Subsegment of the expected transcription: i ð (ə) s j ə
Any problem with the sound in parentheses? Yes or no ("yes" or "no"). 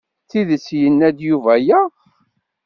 no